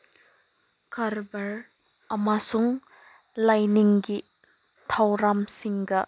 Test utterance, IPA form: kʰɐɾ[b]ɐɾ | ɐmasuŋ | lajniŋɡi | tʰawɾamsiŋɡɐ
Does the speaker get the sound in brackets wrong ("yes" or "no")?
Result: no